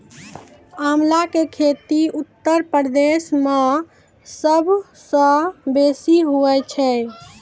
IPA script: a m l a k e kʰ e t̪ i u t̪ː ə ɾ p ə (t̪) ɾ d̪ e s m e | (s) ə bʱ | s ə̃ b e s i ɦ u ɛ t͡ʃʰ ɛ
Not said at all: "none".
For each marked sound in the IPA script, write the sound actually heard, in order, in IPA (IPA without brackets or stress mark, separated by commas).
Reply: none, s